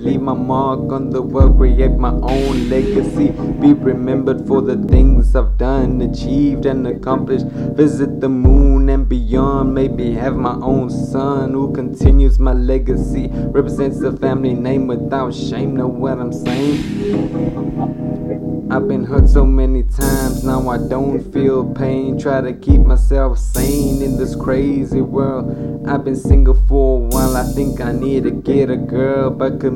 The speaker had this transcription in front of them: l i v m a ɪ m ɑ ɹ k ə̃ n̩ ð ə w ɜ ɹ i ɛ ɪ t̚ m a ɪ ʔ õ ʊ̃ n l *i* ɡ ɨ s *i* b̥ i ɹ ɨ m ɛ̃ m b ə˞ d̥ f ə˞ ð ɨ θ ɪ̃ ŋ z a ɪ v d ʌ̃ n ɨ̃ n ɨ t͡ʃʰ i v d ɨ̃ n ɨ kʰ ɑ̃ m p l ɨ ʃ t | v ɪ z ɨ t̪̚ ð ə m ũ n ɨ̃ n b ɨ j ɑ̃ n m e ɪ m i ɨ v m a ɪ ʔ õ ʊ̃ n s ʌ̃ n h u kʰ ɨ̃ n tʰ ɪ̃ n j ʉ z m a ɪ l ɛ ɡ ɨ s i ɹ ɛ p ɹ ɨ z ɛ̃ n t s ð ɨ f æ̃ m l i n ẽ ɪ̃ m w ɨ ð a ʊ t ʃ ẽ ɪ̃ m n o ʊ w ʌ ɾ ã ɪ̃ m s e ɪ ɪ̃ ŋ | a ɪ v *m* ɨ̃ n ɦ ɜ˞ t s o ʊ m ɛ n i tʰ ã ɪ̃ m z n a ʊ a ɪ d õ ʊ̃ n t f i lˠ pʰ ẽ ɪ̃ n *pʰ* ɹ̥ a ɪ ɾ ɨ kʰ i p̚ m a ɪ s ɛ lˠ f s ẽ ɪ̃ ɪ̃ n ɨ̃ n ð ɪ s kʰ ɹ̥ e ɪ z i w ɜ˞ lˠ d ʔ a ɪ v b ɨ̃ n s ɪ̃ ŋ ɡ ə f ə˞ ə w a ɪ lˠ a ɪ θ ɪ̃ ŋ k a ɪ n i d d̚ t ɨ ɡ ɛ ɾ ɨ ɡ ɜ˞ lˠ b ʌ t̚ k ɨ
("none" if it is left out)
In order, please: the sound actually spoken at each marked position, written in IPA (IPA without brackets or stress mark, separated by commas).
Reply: ɛ, i, b, tʰ